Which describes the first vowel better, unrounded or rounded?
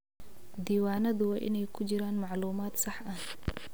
unrounded